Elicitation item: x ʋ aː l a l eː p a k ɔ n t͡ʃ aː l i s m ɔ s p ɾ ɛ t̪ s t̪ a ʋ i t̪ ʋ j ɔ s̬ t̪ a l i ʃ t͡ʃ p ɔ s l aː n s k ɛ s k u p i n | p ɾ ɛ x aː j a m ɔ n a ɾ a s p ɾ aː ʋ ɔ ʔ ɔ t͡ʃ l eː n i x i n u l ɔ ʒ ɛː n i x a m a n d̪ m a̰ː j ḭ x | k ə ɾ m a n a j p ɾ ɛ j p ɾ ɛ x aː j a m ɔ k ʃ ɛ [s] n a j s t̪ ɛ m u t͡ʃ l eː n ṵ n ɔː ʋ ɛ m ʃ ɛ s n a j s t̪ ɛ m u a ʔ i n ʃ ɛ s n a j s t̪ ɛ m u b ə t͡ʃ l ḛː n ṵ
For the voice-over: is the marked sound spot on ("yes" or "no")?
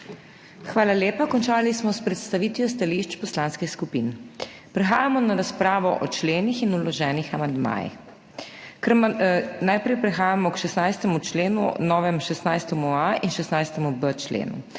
yes